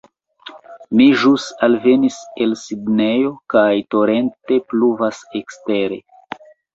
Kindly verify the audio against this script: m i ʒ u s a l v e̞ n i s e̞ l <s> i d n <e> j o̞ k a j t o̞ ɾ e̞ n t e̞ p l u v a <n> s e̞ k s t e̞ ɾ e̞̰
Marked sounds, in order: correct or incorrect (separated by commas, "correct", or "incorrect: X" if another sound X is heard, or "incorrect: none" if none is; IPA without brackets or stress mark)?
correct, correct, incorrect: none